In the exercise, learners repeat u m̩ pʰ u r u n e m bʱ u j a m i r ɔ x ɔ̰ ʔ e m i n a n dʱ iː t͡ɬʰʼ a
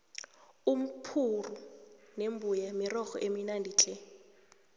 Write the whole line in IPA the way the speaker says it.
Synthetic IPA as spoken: u m̩ pʰ u r u n e m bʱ u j a m i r ɔ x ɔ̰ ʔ e m i n a n dʱ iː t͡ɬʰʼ ɛ